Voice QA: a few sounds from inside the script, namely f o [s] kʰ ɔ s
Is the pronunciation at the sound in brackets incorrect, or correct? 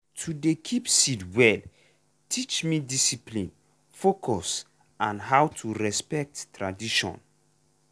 incorrect: none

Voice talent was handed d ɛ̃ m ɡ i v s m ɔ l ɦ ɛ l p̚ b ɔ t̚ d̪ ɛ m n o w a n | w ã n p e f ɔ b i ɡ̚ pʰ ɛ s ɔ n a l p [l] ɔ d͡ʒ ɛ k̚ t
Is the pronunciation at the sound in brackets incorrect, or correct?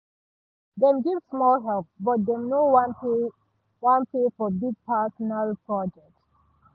incorrect: ɹ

